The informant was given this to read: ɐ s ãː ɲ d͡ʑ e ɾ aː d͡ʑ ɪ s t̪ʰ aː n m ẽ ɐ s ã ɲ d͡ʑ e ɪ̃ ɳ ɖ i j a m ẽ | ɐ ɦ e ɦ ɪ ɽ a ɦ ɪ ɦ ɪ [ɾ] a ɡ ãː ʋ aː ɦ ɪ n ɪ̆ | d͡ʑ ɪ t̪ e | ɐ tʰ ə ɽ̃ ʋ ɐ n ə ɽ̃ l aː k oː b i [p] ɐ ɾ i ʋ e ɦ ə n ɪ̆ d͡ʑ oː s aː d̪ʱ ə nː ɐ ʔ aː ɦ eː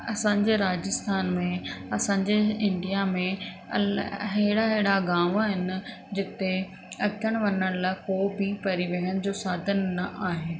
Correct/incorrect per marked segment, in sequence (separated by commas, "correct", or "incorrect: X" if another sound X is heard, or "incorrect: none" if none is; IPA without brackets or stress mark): incorrect: ɽ, correct